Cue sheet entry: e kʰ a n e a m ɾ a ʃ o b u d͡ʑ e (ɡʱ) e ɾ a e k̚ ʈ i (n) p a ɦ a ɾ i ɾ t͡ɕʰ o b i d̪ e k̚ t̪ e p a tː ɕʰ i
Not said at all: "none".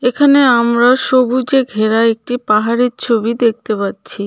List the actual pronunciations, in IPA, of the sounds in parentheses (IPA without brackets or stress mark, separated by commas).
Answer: ɡʱ, none